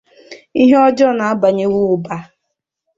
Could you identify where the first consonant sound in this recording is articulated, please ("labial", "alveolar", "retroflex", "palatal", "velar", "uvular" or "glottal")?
glottal